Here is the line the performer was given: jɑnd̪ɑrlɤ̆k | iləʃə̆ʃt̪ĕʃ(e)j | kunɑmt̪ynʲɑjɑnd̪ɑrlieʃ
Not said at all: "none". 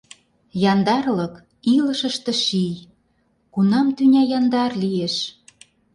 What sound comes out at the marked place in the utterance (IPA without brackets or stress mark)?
i